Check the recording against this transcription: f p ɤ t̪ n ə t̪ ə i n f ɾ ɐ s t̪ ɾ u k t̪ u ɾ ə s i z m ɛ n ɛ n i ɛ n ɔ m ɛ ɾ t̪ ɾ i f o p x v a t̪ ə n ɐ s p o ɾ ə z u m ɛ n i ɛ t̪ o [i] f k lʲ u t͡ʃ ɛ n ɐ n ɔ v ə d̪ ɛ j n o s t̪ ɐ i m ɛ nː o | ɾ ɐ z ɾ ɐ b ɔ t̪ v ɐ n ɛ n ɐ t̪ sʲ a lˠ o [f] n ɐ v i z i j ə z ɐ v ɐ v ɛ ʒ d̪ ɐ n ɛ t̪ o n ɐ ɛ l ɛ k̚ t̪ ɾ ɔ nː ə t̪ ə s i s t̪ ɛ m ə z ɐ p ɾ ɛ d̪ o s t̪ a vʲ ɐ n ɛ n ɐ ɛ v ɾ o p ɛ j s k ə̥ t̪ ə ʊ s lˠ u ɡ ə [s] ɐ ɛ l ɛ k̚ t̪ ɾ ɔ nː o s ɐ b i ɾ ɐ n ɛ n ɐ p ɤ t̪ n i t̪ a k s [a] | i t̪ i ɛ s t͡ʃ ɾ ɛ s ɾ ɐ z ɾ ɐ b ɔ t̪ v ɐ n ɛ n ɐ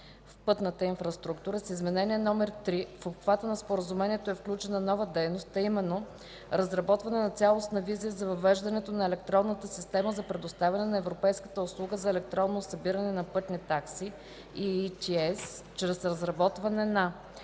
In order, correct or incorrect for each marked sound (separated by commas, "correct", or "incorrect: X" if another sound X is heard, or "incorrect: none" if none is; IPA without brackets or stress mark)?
incorrect: ɛ, incorrect: s, incorrect: z, incorrect: i